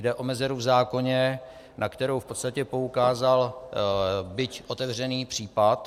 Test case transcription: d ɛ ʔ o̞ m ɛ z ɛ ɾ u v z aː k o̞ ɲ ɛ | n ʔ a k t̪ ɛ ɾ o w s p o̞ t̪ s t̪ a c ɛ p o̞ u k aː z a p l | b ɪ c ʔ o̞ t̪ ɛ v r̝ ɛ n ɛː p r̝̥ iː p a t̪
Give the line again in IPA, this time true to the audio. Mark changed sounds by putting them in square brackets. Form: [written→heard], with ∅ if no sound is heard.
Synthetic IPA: d ɛ ʔ o̞ m ɛ z ɛ ɾ u v z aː k o̞ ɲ ɛ | n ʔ a k t̪ ɛ ɾ o w [s→f] p o̞ t̪ s t̪ a c ɛ p o̞ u k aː z a [p→∅] l | b ɪ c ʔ o̞ t̪ ɛ v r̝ ɛ n [ɛː→iː] p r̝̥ iː p a t̪